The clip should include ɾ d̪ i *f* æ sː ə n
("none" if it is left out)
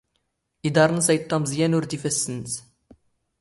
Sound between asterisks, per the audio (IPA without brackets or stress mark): f